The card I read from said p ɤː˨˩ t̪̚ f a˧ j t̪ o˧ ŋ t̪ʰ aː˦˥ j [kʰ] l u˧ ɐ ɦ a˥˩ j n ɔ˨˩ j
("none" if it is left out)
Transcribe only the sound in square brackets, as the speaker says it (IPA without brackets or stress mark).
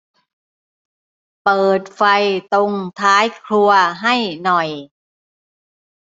kʰ